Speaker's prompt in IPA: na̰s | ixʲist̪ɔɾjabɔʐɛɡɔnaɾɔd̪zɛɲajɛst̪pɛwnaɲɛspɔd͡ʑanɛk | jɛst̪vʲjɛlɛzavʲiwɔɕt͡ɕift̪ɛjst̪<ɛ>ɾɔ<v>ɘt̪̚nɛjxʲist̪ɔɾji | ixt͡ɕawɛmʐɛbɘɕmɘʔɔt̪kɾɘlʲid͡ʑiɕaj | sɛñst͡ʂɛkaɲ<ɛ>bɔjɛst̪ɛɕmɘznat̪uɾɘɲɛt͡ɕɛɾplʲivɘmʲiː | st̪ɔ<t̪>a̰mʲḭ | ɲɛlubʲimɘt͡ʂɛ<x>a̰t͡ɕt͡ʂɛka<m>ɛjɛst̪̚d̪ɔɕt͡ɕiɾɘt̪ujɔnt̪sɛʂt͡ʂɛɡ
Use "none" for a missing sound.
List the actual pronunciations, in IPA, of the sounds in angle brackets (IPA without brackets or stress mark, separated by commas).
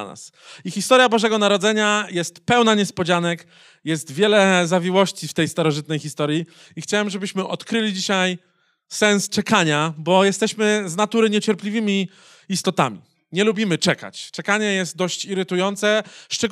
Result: a, ʐ, a, t̪, k, ɲ